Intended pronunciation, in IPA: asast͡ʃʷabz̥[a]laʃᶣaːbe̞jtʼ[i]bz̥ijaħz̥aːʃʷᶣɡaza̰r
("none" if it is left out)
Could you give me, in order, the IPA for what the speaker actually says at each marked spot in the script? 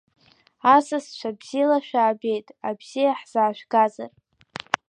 i, a

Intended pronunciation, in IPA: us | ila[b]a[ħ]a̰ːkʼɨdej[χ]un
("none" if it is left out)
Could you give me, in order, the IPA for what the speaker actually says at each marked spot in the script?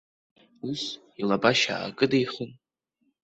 b, ʃ, χ

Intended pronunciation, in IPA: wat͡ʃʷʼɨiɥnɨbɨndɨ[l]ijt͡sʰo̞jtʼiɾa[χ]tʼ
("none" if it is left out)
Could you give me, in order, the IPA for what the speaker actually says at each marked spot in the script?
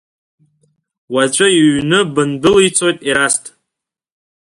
l, s

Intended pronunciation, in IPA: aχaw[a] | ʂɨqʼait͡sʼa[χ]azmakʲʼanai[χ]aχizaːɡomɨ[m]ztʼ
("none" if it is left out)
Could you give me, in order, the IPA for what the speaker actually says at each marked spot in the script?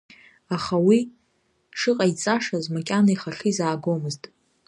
i, ʂ, χ, none

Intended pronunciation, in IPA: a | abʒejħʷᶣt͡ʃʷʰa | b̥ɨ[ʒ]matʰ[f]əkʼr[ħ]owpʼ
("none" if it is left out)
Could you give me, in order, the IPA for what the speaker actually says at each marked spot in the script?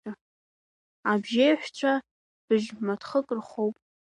ʒ, χ, χ

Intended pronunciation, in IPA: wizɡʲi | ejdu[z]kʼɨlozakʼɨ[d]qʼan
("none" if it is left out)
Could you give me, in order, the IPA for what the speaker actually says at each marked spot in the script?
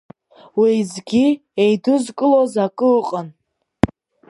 z, none

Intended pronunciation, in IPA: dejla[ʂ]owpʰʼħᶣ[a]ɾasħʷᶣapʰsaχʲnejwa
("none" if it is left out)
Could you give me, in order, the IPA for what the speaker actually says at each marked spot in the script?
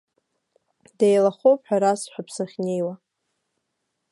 χ, a

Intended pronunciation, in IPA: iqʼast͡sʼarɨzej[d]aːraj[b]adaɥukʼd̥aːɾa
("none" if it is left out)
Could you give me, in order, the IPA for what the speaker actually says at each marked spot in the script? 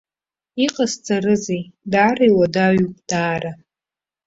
d, w

